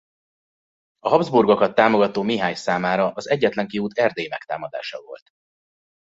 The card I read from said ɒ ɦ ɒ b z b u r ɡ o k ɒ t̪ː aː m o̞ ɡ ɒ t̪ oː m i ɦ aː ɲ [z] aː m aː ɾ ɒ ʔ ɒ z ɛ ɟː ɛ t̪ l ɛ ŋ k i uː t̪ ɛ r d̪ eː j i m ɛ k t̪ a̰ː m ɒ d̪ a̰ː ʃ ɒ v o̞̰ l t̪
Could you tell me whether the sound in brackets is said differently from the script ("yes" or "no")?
yes